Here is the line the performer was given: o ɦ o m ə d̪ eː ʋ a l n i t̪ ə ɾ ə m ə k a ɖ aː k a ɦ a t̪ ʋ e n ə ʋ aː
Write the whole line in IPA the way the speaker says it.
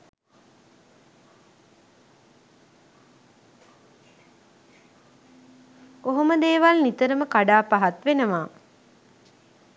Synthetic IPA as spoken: o ɦ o m ə d̪ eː ʋ a l n i t̪ ə ɾ ə m ə k a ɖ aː p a ɦ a t̪ ʋ e n ə ʋ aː